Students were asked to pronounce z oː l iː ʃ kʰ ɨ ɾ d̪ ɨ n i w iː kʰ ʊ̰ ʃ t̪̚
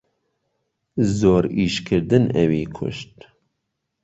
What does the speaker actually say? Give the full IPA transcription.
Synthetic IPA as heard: z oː ɾ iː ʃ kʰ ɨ ɾ d̪ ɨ n ɛ w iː kʰ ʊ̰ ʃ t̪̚